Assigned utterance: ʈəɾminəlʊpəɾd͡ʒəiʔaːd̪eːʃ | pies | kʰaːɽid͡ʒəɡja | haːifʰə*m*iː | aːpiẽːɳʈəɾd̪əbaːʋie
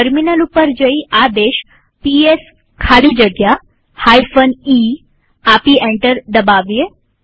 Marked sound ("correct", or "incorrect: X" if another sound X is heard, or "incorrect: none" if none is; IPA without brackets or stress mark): incorrect: n